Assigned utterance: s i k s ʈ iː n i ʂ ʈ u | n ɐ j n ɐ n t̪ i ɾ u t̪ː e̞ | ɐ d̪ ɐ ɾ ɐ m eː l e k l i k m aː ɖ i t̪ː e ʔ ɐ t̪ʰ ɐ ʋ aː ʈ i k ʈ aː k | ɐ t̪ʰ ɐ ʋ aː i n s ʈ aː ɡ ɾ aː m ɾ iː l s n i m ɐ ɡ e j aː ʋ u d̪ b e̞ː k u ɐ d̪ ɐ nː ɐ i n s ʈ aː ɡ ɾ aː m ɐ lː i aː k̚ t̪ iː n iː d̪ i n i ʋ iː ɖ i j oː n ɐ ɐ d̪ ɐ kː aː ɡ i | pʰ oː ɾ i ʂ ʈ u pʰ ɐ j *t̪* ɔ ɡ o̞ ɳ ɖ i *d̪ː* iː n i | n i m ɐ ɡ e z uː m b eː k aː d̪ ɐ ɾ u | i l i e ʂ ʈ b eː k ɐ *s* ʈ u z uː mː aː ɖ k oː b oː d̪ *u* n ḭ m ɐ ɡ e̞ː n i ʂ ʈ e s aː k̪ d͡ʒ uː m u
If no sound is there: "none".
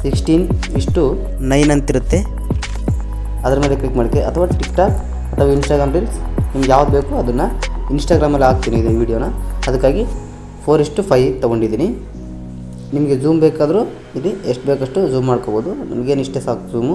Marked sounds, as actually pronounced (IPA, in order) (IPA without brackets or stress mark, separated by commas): t̪, d̪, ʂ, u